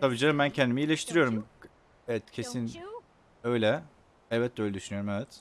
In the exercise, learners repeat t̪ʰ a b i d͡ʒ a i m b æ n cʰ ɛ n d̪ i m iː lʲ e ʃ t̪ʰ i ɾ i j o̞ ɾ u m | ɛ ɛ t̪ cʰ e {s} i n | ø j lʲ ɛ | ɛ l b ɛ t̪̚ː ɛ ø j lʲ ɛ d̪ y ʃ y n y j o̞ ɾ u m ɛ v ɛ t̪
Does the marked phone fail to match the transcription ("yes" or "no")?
no